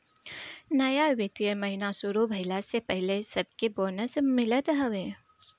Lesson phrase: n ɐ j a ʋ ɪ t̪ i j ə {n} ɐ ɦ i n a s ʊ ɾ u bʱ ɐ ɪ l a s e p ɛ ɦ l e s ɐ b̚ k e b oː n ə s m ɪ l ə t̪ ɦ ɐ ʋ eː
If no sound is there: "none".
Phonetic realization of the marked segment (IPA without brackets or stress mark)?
m